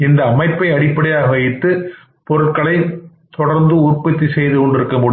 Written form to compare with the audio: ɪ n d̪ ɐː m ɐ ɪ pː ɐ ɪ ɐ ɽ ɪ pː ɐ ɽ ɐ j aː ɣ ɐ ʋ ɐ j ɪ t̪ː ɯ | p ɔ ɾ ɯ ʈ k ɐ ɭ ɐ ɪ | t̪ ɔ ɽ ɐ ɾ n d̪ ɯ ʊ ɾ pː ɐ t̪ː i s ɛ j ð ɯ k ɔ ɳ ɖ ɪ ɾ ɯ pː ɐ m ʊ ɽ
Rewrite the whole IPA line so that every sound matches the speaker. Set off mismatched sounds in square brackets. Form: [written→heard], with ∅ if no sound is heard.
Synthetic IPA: ɪ n d̪ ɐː m ɐ ɪ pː ɐ ɪ ɐ ɽ ɪ pː ɐ ɽ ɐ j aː ɣ ɐ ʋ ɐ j ɪ t̪ː ɯ | p ɔ ɾ ɯ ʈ k ɐ ɭ ɐ ɪ | t̪ ɔ ɽ ɐ ɾ n d̪ ɯ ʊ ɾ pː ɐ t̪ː i s ɛ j ð ɯ k ɔ ɳ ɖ ɪ ɾ ɯ [pː→kː] ɐ m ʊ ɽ